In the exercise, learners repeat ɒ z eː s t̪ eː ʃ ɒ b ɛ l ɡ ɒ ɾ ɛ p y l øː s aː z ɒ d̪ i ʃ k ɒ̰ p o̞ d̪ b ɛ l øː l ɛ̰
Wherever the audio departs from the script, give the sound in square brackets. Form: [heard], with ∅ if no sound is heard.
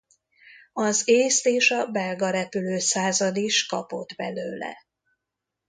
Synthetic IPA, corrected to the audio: ɒ z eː s t̪ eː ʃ ɒ b ɛ l ɡ ɒ ɾ ɛ p y l øː s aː z ɒ d̪ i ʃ k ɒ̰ p o̞ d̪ b ɛ l øː l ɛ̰

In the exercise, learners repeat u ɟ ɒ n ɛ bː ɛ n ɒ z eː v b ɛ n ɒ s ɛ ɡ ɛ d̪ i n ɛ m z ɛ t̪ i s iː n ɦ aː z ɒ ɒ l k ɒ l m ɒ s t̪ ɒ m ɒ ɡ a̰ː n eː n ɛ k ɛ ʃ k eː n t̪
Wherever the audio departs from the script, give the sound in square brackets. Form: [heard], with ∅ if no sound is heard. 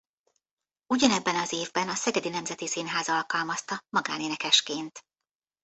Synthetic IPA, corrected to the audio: u ɟ ɒ n ɛ bː ɛ n ɒ z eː v b ɛ n ɒ s ɛ ɡ ɛ d̪ i n ɛ m z ɛ t̪ i s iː n ɦ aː z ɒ ɒ l k ɒ l m ɒ s t̪ ɒ m ɒ ɡ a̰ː n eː n ɛ k ɛ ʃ k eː n t̪

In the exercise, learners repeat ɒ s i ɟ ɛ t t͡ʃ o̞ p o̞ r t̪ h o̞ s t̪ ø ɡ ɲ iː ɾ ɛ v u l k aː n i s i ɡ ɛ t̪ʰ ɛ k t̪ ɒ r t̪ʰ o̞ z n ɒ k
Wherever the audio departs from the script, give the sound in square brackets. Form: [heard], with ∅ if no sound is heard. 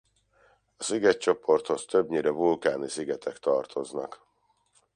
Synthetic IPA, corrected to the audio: ɒ s i [ɡ] ɛ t t͡ʃ o̞ p o̞ r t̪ h o̞ s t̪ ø [b] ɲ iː ɾ ɛ v u l k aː n i s i ɡ ɛ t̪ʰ ɛ k t̪ ɒ r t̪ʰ o̞ z n ɒ k

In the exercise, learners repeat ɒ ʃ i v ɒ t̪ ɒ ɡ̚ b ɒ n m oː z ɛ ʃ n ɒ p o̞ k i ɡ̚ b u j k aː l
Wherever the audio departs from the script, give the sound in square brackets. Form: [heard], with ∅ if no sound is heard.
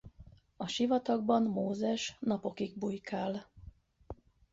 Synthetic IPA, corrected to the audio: ɒ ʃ i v ɒ t̪ ɒ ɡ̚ b ɒ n m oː z ɛ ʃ n ɒ p o̞ k i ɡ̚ b u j k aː l

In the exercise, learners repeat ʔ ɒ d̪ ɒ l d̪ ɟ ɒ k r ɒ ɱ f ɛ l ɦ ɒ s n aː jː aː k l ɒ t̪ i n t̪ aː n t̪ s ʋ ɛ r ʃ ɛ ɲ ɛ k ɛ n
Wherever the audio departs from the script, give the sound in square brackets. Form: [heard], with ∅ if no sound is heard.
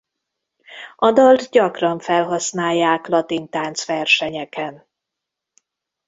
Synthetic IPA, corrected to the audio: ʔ ɒ d̪ ɒ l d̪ ɟ ɒ k r ɒ ɱ f ɛ l ɦ ɒ s n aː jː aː k l ɒ t̪ i n t̪ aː n t̪ s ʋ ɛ r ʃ ɛ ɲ ɛ k ɛ n

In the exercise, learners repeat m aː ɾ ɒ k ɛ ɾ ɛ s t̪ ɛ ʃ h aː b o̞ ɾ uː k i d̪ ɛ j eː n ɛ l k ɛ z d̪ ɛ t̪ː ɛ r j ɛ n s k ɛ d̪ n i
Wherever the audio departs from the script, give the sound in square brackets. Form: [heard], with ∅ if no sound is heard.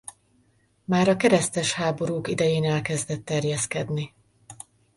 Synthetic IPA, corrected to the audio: m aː ɾ ɒ k ɛ ɾ ɛ s t̪ ɛ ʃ h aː b o̞ ɾ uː k i d̪ ɛ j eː n ɛ l k ɛ z d̪ ɛ t̪ː ɛ r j ɛ [∅] s k ɛ d̪ n i

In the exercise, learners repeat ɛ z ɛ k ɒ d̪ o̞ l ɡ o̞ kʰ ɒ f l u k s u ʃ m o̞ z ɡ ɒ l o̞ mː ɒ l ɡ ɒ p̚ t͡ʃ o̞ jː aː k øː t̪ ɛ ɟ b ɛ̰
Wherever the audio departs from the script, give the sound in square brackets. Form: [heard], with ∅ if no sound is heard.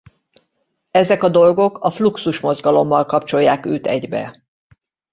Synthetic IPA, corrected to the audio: ɛ z ɛ k ɒ d̪ o̞ l ɡ o̞ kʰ ɒ f l u k s u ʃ m o̞ z ɡ ɒ l o̞ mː ɒ l [k] ɒ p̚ t͡ʃ o̞ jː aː k øː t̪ ɛ ɟ b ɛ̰

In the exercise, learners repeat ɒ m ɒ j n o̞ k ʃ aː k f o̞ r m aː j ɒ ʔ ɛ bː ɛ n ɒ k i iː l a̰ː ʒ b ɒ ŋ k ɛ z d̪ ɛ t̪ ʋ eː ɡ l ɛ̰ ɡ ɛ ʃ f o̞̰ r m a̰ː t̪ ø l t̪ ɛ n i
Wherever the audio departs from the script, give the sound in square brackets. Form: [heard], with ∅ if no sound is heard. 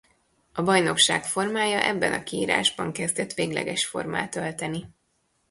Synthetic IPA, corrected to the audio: ɒ [b] ɒ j n o̞ k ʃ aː k f o̞ r m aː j ɒ ʔ ɛ bː ɛ n ɒ k i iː [ɾ] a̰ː ʒ b ɒ ŋ k ɛ z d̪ ɛ t̪ ʋ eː ɡ l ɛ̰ ɡ ɛ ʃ f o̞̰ r m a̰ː t̪ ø l t̪ ɛ n i

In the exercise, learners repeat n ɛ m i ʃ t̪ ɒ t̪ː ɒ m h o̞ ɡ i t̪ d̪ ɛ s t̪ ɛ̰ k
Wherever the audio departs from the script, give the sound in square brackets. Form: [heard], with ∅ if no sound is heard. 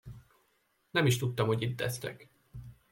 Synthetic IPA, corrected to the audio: n ɛ m i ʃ t̪ [u] t̪ː ɒ m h o̞ [ɟ] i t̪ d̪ ɛ s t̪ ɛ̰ k

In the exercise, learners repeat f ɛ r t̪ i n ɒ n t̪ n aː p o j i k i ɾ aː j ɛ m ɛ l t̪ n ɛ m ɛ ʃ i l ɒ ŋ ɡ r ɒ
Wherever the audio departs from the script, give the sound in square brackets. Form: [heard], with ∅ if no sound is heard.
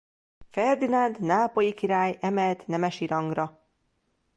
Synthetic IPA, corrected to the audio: f ɛ r [d̪] i n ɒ n [d̪] n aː p o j i k i ɾ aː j ɛ m ɛ l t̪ n ɛ m ɛ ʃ i [ɾ] ɒ ŋ ɡ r ɒ

